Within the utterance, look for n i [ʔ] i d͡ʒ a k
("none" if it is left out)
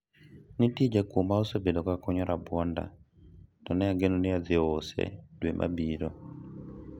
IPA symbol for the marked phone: t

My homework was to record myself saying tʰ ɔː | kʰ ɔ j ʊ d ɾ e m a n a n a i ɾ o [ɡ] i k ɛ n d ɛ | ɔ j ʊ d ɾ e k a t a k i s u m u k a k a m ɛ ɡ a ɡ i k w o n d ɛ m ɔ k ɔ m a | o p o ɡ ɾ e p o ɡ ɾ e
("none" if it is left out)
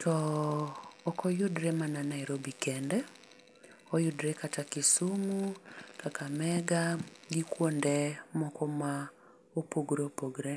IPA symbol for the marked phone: b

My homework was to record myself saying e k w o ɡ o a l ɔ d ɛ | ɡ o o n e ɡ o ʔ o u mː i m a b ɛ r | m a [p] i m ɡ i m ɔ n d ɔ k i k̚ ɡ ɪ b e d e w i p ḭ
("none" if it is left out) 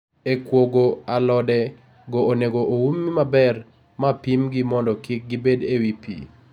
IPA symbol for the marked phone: p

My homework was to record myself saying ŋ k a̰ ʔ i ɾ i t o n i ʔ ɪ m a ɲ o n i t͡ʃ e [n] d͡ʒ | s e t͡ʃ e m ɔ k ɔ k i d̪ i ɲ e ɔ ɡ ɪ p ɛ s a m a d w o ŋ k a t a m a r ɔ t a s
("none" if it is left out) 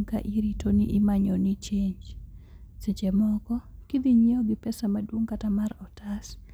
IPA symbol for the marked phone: ɲ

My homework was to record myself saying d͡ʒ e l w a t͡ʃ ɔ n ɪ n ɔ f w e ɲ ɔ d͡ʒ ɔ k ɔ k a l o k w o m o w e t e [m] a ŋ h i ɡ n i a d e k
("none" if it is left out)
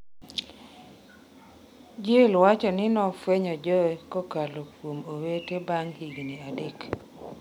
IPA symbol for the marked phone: b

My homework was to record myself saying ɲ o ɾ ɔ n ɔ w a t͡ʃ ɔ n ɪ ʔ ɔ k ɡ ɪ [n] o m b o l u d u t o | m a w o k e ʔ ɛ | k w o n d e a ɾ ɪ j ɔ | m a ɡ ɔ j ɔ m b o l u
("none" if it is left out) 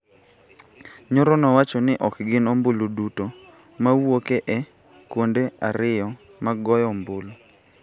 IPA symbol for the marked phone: n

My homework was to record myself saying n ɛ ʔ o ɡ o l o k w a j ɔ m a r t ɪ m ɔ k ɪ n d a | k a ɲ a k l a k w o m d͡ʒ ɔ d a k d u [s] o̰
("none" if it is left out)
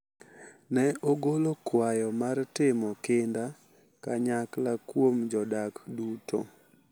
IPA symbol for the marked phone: t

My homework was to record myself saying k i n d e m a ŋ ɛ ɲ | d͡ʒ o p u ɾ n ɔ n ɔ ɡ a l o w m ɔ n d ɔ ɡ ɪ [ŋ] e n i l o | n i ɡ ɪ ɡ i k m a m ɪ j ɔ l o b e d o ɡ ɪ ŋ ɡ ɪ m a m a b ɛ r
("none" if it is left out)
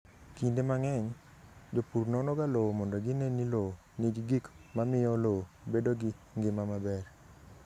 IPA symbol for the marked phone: n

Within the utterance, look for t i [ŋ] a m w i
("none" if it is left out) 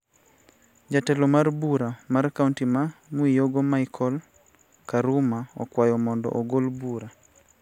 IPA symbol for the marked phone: m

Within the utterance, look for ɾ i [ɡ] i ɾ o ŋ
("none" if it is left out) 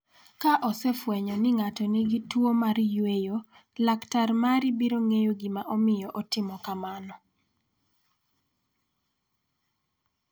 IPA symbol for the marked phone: b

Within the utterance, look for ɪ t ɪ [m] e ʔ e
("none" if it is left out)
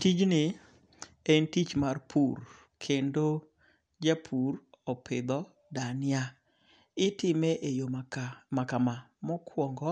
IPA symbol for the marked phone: m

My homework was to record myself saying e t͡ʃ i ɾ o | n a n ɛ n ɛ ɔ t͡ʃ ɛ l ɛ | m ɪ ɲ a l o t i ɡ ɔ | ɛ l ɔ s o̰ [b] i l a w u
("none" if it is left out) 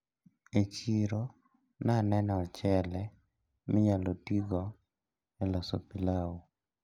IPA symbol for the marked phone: p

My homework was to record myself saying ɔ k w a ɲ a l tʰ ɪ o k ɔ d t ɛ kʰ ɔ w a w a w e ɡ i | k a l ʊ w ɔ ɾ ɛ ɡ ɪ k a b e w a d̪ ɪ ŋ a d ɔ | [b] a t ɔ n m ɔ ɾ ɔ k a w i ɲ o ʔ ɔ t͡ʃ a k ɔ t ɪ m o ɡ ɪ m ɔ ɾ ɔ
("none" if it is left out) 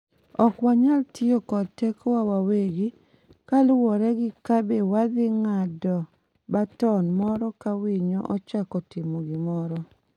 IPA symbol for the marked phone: b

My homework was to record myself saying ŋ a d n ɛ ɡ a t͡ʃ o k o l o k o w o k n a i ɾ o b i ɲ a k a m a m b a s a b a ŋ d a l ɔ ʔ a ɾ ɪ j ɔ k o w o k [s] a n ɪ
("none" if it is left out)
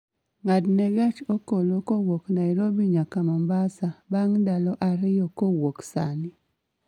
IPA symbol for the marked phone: s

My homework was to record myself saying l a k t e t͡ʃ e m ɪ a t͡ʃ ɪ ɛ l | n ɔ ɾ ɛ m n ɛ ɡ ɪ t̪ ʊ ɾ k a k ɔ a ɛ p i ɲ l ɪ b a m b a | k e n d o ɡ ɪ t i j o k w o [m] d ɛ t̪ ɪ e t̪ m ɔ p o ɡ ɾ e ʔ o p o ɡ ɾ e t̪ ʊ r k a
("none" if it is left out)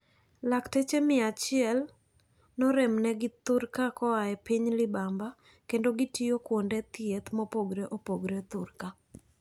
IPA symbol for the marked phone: n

